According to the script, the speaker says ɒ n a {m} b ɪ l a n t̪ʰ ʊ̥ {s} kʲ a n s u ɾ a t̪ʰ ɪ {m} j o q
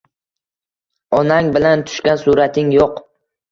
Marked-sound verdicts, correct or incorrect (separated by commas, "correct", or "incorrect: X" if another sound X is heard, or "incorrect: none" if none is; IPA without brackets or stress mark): incorrect: ŋ, incorrect: ʃ, incorrect: ŋ